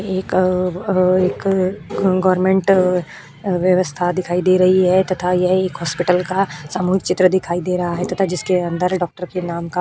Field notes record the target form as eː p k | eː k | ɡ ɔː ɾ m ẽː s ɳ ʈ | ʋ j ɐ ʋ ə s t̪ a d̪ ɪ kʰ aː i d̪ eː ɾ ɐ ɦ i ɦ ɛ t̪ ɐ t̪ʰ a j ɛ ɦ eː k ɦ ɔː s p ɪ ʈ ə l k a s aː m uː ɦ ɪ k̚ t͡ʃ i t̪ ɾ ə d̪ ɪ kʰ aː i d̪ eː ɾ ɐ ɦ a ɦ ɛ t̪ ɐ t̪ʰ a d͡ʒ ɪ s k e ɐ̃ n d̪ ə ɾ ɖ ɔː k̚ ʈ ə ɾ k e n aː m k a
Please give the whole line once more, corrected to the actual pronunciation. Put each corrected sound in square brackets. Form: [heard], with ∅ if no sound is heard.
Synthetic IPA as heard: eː [∅] k | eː k | ɡ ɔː ɾ m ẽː [∅] ɳ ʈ | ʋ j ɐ ʋ ə s [t̪ʰ] a d̪ ɪ kʰ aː i d̪ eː ɾ ɐ ɦ i ɦ ɛ t̪ ɐ t̪ʰ a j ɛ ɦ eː k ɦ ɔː s p ɪ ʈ ə l k a s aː m uː ɦ ɪ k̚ t͡ʃ [ɪ] t̪ ɾ ə d̪ ɪ kʰ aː i d̪ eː ɾ ɐ ɦ a ɦ ɛ t̪ ɐ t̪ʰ a d͡ʒ ɪ s k e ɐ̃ n d̪ ə ɾ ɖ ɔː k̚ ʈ ə ɾ k e n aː m k a